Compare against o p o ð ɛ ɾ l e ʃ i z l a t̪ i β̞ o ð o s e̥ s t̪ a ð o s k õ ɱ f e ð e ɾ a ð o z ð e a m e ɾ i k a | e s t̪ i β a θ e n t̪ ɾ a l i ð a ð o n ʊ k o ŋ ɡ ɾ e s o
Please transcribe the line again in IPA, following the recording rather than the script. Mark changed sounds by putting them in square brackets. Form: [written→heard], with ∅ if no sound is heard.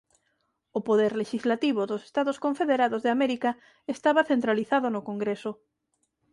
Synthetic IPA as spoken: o p o ð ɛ ɾ l e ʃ i z l a t̪ i β̞ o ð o s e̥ s t̪ a ð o s k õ ɱ f e ð e ɾ a ð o z ð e a m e ɾ i k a | e s t̪ [i→a] β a θ e n t̪ ɾ a l i [ð→θ] a ð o n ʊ k o ŋ ɡ ɾ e s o

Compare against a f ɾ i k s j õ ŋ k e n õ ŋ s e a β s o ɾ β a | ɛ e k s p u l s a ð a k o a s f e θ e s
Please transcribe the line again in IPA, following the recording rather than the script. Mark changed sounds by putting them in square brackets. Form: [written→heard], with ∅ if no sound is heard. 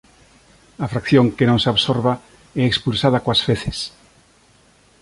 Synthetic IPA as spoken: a f ɾ [i→a] k [s→θ] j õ ŋ k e n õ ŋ s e a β s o ɾ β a | ɛ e k s p u l s a ð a k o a s f e θ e s

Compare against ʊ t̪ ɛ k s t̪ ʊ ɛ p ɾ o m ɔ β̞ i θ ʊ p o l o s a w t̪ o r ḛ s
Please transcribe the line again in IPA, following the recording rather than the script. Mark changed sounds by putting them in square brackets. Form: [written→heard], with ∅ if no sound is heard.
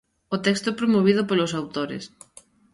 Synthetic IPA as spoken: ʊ t̪ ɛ k s t̪ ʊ ɛ p ɾ o m [ɔ→o] β̞ i [θ→ð] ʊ p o l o s a w t̪ o [r→ɾ] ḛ s

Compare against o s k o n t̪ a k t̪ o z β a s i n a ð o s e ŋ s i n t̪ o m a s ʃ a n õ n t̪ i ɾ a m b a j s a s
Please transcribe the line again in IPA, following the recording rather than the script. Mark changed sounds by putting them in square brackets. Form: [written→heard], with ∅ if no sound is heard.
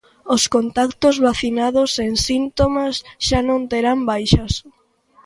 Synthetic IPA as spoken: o s k o n t̪ a k t̪ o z β a [s→θ] i n a ð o s e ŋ s i n t̪ o m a s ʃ a n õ n t̪ [i→e] ɾ a m b a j [s→ʃ] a s

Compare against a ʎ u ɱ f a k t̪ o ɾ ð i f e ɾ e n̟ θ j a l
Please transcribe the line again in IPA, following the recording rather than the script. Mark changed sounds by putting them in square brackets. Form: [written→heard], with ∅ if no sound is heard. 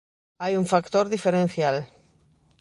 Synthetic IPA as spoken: a [ʎ→j] u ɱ f a k t̪ o ɾ ð i f e ɾ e n̟ θ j a l

